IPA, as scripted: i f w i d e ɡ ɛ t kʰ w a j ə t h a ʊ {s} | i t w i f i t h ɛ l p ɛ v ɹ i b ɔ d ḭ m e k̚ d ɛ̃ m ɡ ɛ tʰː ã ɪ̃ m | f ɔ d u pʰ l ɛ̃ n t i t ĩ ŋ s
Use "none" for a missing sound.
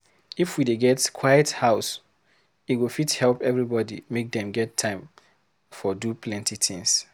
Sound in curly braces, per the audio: s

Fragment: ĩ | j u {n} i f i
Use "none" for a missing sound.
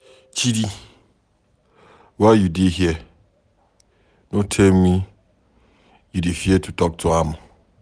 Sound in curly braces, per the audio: d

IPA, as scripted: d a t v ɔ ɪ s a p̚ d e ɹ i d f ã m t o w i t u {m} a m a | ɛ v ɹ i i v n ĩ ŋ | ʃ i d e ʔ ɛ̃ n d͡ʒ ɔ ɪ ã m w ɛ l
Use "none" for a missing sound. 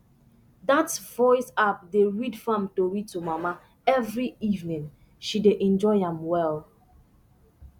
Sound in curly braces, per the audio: m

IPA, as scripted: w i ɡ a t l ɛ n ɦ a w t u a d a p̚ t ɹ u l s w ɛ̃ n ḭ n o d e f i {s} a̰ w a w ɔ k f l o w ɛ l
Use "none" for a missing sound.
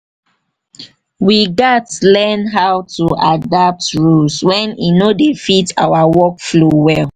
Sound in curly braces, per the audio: t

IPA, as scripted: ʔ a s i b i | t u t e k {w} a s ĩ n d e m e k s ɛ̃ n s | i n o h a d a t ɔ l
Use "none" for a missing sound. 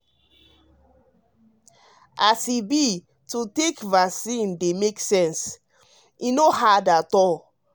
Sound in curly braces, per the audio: v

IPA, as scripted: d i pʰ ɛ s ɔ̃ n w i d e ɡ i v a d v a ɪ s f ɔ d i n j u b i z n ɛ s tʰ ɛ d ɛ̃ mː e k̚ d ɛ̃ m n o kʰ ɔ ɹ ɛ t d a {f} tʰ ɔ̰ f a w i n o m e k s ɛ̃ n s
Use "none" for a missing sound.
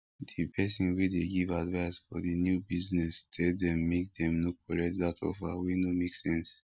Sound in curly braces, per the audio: none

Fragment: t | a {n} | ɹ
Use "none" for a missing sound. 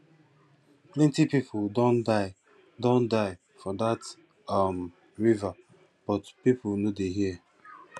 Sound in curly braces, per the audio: m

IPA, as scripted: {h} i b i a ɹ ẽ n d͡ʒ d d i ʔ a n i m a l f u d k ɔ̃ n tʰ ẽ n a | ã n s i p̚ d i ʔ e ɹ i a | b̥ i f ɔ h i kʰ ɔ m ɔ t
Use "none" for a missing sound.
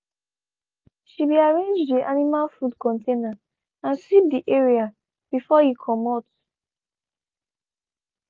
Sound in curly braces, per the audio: ʃ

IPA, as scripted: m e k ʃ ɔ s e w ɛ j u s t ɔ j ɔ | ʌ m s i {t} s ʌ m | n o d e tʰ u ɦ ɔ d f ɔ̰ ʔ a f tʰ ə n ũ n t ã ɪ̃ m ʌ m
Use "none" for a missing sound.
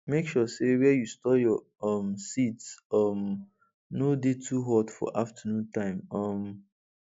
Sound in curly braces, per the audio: t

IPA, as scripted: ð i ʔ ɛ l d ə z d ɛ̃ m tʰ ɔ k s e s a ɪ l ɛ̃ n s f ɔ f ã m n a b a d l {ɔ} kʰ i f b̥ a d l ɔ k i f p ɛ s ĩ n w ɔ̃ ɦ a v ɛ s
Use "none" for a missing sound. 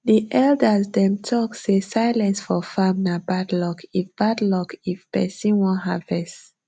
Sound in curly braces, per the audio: ɔ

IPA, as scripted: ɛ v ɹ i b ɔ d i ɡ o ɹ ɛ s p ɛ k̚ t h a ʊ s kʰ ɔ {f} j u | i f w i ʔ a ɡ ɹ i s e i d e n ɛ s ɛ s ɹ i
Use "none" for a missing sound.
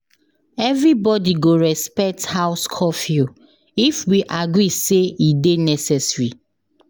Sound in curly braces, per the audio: f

